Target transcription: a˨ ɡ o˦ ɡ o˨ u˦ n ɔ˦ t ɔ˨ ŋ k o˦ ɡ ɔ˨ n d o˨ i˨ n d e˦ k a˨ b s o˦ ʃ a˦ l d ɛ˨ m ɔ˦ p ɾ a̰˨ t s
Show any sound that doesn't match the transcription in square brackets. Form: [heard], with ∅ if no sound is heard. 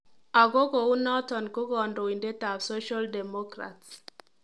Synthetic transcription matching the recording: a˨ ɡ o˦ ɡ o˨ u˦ n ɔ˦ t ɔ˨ [n] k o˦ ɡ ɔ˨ n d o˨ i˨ n d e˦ [t] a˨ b s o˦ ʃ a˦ l d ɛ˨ m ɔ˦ [k] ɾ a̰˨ t s